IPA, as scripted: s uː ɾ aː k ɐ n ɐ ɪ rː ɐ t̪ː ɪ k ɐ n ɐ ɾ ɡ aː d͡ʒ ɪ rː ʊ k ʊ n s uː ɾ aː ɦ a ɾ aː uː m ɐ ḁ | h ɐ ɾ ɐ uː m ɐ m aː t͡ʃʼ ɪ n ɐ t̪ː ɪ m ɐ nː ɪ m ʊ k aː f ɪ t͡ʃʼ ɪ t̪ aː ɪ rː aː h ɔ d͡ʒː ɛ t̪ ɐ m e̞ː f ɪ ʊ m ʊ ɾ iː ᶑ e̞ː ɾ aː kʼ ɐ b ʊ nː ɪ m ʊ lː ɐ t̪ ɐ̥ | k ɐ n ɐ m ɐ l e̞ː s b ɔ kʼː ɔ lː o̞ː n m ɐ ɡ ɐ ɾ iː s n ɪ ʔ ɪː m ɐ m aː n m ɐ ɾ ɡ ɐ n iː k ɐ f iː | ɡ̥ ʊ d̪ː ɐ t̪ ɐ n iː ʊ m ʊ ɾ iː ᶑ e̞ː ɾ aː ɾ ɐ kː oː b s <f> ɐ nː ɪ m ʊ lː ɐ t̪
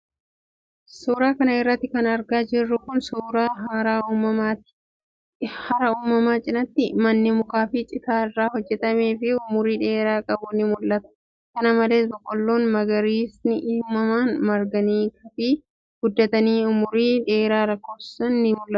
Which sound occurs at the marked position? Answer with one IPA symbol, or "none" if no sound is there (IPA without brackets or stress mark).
s